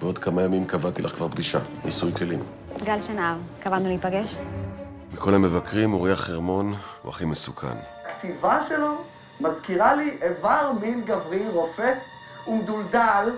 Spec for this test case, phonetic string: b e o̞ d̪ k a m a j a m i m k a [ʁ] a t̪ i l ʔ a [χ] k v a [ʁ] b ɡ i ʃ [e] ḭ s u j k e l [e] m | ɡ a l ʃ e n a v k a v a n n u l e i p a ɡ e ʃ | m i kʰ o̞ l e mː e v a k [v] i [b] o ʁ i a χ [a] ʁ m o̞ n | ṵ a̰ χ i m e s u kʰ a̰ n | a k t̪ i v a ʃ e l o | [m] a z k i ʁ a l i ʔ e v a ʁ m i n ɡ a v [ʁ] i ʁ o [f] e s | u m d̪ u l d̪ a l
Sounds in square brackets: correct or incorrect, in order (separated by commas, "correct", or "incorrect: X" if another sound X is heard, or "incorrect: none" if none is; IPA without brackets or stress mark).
incorrect: v, correct, correct, incorrect: a, incorrect: i, incorrect: ʁ, incorrect: m, incorrect: e, correct, correct, correct